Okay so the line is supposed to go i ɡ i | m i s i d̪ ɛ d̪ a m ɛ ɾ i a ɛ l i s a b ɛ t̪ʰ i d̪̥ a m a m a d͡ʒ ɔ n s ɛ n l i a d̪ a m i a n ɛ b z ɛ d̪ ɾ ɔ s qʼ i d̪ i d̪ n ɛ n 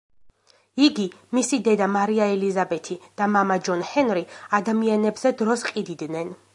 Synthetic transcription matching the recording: i ɡ i | m i s i d̪ ɛ d̪ a m a ɾ i a ɛ l i z a b ɛ t̪ʰ i d̪̥ a m a m a d͡ʒ ɔ n h ɛ n ɾ i a d̪ a m i a n ɛ b z ɛ d̪ ɾ ɔ s qʼ i d̪ i d̪ n ɛ n